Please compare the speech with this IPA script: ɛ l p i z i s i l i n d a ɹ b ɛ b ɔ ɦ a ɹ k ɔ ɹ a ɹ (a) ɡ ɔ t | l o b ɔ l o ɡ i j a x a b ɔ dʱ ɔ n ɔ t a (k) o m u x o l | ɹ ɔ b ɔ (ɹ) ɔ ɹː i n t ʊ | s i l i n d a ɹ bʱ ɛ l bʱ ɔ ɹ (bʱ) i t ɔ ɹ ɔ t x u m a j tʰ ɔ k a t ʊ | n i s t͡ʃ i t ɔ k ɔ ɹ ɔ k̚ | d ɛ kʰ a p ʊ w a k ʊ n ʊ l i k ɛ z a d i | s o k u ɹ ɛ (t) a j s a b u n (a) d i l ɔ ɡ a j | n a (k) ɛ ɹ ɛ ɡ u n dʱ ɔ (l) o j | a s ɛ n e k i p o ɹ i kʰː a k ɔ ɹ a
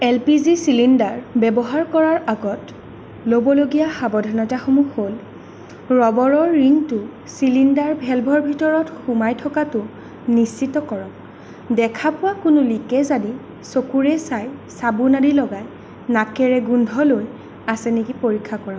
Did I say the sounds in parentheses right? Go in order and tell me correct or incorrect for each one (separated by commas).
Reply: correct, incorrect, correct, correct, incorrect, correct, correct, correct